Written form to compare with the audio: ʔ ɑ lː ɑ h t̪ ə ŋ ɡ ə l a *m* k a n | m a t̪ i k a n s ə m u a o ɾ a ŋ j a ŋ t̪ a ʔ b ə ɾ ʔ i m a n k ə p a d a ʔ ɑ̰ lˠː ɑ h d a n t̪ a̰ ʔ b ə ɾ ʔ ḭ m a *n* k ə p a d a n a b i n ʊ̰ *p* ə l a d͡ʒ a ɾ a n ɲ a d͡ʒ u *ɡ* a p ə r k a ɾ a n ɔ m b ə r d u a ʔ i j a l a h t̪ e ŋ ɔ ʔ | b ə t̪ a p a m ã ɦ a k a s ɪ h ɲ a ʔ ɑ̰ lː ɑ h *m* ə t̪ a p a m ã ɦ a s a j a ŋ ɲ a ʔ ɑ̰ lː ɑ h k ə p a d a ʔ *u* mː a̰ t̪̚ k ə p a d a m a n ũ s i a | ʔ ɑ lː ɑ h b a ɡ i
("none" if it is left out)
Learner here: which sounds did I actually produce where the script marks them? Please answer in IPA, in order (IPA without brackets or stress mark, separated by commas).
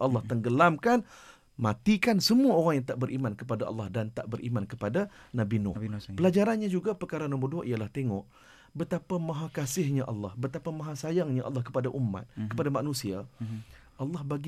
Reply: m, n, p, ɡ, b, u